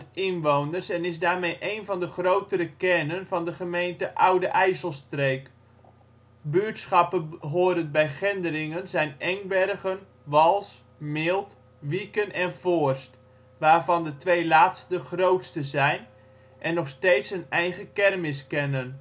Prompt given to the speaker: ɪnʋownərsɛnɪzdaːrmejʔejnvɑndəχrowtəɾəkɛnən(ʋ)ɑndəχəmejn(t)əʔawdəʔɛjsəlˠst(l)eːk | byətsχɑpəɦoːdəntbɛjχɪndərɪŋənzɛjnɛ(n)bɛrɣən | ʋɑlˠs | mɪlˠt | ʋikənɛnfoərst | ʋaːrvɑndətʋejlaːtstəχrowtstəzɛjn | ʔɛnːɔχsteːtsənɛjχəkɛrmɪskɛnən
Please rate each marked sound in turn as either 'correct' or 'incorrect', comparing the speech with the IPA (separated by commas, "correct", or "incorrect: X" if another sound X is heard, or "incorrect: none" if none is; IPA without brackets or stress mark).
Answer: incorrect: v, correct, incorrect: r, incorrect: ŋ